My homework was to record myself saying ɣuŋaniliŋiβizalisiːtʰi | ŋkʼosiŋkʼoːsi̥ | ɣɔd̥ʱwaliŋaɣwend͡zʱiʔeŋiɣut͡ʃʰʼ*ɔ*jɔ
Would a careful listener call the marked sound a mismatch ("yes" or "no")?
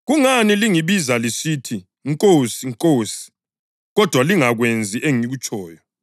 yes